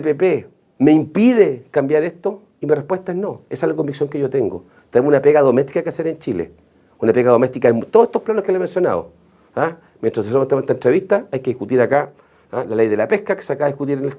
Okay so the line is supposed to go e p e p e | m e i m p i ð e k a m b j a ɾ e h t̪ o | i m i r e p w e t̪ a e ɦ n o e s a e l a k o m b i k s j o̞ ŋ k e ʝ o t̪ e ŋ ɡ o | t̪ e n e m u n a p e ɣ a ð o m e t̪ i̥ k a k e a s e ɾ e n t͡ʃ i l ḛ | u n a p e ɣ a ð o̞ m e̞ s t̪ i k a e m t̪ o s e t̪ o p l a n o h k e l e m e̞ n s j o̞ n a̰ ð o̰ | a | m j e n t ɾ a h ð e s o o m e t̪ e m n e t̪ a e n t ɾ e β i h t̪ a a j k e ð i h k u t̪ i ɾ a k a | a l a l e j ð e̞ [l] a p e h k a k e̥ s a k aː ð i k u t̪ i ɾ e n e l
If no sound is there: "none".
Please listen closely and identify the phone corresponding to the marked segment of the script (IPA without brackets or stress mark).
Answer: l